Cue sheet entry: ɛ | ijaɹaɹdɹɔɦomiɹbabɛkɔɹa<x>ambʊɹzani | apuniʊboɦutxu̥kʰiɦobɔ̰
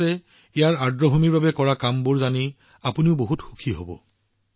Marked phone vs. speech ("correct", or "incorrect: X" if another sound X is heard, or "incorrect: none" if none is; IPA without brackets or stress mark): incorrect: k